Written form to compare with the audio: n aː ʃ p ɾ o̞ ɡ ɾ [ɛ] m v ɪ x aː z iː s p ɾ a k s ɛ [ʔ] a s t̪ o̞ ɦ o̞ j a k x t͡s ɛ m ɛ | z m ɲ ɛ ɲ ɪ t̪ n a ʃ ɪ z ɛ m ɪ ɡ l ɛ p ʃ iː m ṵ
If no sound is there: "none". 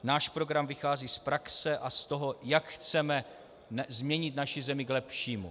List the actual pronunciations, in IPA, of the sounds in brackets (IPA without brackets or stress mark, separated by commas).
a, ʔ